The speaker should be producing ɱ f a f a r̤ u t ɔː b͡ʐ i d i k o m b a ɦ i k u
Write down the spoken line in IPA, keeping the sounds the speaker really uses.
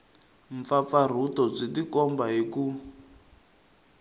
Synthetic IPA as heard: ɱ f a f a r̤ u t ɔ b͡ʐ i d i k ɔ m b a ɦ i k u